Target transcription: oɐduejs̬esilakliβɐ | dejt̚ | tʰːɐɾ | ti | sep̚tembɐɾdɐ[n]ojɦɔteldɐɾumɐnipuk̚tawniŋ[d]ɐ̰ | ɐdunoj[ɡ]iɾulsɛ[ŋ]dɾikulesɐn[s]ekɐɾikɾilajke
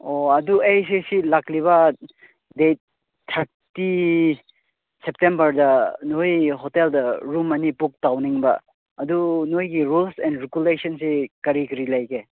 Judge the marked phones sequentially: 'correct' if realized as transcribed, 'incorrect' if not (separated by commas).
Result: correct, incorrect, correct, incorrect, correct